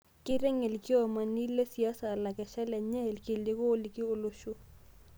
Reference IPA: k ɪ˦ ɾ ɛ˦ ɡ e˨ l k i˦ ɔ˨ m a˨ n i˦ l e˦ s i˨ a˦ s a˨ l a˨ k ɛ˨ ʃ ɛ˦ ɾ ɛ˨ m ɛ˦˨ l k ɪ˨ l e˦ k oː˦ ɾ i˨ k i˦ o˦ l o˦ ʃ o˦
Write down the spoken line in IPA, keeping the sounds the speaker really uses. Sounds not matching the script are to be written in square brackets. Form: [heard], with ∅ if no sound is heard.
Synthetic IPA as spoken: k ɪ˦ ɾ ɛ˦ [ŋ] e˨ l k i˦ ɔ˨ m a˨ n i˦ l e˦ s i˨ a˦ s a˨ l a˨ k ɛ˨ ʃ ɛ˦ [l] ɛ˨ [ɲ] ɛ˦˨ l k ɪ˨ l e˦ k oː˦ [l] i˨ k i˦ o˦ l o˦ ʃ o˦